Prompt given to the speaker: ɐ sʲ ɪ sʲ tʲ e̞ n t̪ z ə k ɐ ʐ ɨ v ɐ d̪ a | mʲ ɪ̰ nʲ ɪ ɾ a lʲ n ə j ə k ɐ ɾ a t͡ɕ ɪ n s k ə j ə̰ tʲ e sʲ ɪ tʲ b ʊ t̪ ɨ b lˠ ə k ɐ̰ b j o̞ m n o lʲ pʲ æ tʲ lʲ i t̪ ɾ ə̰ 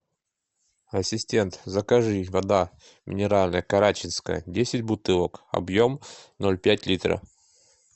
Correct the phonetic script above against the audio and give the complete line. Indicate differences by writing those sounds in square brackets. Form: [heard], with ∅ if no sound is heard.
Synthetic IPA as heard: ɐ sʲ ɪ sʲ tʲ e̞ n t̪ z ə k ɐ ʐ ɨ v ɐ d̪ a | mʲ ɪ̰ nʲ ɪ ɾ a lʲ n ə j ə k ɐ ɾ a t͡ɕ ɪ n s k ə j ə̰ [dʲ] e sʲ ɪ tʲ b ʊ t̪ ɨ [∅] lˠ ə k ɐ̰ b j o̞ m n o lʲ pʲ æ tʲ lʲ i t̪ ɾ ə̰